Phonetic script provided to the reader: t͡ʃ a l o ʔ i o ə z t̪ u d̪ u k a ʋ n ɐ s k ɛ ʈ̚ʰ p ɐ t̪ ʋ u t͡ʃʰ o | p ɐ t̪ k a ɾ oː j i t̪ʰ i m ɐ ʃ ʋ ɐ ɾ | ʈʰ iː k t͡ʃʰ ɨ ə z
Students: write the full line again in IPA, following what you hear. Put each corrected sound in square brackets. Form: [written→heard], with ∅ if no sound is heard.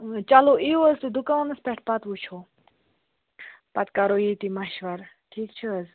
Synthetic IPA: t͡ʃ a l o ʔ i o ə z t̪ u d̪ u k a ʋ n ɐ s [k→p] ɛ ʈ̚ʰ p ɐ t̪ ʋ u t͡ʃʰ o | p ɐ t̪ k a ɾ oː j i [t̪ʰ→t̪] i m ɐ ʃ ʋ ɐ ɾ | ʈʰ iː k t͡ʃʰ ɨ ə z

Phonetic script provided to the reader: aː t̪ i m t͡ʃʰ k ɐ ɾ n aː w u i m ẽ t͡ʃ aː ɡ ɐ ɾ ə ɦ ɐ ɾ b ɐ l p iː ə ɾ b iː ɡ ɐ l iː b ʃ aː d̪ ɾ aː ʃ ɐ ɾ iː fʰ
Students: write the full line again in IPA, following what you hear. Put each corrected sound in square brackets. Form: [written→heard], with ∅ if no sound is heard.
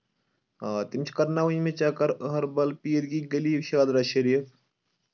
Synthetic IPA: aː t̪ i m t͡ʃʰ k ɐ ɾ n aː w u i m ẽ t͡ʃ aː [ɡ→k] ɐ ɾ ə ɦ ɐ ɾ b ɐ l p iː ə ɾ [b→ɡ] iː ɡ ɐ l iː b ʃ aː d̪ ɾ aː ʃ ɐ ɾ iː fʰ

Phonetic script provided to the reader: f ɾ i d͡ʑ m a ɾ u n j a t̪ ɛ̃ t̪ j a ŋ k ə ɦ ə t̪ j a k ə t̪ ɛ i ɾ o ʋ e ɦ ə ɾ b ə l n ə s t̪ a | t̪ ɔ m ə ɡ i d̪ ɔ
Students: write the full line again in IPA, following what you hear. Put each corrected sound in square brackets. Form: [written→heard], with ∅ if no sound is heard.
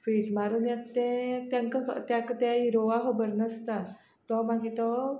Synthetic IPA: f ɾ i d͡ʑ m a ɾ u n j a t̪ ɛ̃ t̪ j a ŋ k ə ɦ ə t̪ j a k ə t̪ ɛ i ɾ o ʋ [e→a] ɦ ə [ɾ→∅] b ə [l→ɾ] n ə s t̪ a | t̪ ɔ m [ə→a] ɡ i [d̪→t̪] ɔ

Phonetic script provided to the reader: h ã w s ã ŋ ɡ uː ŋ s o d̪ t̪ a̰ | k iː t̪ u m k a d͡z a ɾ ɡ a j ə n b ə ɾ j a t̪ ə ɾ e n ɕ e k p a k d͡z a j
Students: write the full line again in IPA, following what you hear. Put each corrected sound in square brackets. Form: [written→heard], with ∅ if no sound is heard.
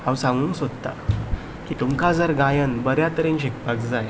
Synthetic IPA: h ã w s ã ŋ ɡ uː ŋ s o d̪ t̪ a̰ | k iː t̪ u m k a d͡z [a→ə] ɾ ɡ a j ə n b ə ɾ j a t̪ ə ɾ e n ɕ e k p a k d͡z a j

